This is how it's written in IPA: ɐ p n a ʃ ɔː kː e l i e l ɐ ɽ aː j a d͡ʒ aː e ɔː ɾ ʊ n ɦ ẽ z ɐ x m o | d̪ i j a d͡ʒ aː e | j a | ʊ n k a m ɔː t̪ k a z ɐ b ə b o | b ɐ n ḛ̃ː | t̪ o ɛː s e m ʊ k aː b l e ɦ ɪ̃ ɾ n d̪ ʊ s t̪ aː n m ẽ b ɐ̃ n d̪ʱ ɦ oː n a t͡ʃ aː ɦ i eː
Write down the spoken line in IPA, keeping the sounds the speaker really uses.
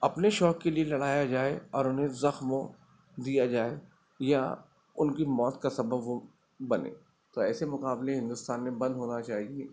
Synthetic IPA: ɐ p n e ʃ ɔː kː e l i e l ɐ ɽ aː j a d͡ʒ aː e ɔː ɾ ʊ n ɦ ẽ z ɐ x m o | d̪ i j a d͡ʒ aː e | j a | ʊ n k i m ɔː t̪ k a s ɐ b ə b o | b ɐ n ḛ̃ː | t̪ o ɛː s e m ʊ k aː b l e ɦ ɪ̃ n d̪ ʊ s t̪ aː n m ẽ b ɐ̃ n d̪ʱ ɦ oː n a t͡ʃ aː ɦ i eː